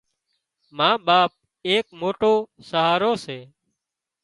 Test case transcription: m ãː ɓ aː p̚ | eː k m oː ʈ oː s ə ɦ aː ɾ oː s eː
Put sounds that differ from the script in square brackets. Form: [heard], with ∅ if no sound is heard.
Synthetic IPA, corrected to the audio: m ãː ɓ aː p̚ | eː k m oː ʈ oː s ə ɦ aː ɾ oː s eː